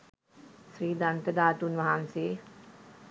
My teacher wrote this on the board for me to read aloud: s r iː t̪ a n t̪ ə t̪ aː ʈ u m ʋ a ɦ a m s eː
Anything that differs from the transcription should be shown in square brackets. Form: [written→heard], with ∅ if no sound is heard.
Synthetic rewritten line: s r iː [t̪→d̪] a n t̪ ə [t̪→d̪] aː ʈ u [m→n] ʋ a ɦ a [m→n] s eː